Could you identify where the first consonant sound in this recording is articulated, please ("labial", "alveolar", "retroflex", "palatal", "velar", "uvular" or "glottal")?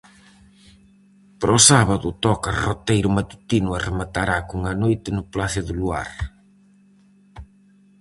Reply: labial